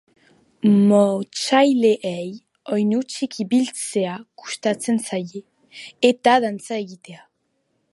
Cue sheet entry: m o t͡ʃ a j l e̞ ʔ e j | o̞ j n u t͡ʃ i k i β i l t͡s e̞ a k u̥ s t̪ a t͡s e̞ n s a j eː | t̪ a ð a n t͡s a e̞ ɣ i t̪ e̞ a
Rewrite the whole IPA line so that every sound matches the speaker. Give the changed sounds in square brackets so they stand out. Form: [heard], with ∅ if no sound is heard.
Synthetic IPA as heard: m o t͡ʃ a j l e̞ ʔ e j | o̞ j n u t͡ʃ i k i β i l t͡s e̞ a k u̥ s t̪ a t͡s e̞ n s a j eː | t̪ a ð a n t͡s a e̞ ɣ i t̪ e̞ a

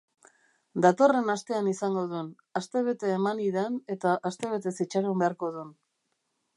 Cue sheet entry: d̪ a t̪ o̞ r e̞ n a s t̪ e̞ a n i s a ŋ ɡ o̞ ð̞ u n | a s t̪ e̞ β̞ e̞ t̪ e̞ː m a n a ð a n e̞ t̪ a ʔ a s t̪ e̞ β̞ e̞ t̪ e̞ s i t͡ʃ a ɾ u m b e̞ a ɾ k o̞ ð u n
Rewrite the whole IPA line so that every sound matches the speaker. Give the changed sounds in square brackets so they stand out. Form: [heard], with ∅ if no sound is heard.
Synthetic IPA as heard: d̪ a t̪ o̞ r e̞ n a s t̪ e̞ a n i s a ŋ ɡ o̞ ð̞ u n | a s t̪ e̞ β̞ e̞ t̪ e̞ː m a n [i] ð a n e̞ t̪ a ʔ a s t̪ e̞ β̞ e̞ t̪ e̞ s i t͡ʃ a ɾ u m b e̞ a ɾ k o̞ ð u n

